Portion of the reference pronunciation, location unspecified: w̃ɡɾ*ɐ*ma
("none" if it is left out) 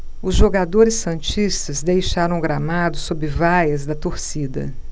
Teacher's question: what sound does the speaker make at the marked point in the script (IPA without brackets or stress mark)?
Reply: a